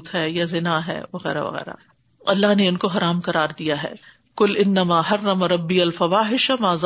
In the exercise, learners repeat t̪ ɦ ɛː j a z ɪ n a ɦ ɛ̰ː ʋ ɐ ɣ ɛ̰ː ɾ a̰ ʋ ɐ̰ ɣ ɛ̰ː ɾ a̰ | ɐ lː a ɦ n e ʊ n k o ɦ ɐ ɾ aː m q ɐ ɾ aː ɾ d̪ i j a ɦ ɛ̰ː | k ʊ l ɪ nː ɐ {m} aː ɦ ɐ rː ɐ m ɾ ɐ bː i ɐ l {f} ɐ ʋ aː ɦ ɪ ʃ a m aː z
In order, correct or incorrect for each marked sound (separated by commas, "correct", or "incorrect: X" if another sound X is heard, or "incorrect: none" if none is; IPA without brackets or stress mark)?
correct, correct